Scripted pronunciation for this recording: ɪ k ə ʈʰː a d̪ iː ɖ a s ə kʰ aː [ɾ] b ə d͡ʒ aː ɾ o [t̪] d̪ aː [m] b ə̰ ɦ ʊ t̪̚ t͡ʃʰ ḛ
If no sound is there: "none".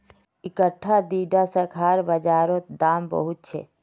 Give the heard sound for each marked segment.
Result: ɾ, t̪, m

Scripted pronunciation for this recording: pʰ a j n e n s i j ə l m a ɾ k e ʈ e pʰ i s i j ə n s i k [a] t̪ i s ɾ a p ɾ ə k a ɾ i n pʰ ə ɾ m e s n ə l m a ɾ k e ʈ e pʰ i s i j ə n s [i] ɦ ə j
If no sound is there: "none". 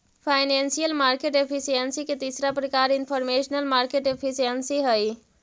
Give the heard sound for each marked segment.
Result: e, i

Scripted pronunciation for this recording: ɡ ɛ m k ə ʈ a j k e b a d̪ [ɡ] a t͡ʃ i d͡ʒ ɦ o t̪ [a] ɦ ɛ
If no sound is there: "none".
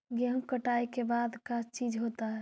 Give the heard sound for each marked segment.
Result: k, a

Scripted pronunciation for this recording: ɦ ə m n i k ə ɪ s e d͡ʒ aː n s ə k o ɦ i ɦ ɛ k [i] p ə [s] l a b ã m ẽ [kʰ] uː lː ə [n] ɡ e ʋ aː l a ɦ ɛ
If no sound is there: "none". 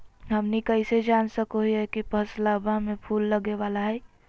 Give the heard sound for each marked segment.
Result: i, s, pʰ, none

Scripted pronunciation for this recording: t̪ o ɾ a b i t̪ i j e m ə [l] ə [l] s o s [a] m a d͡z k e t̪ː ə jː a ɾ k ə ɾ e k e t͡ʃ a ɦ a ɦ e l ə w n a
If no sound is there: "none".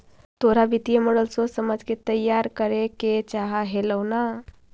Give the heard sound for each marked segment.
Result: ɽ, l, ə

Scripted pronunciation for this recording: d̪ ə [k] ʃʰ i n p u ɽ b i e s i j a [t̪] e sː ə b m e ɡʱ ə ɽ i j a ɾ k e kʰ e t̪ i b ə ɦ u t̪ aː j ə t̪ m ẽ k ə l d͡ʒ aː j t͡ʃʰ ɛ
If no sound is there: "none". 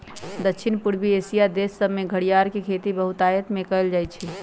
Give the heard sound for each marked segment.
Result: k, d̪

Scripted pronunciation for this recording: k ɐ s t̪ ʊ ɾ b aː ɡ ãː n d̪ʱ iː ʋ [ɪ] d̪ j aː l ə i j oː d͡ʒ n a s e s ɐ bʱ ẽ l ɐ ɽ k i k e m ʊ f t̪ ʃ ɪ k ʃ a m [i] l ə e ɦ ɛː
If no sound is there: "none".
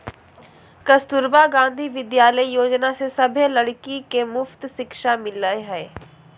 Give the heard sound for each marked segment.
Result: ɪ, ɪ

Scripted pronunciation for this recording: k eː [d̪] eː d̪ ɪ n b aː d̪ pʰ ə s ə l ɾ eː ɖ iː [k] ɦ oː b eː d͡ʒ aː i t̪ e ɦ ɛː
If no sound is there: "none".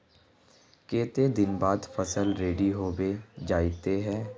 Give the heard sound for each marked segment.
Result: t̪, none

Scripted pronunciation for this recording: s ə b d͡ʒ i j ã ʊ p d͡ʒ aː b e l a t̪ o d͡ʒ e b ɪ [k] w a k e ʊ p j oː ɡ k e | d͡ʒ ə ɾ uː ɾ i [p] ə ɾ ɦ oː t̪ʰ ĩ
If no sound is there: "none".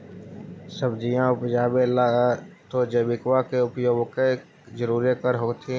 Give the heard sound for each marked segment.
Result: k, k

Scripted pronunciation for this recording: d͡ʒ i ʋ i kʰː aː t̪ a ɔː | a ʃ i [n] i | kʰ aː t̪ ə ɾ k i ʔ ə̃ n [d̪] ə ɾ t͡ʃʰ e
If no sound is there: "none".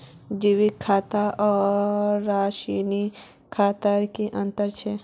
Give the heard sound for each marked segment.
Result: n, t̪

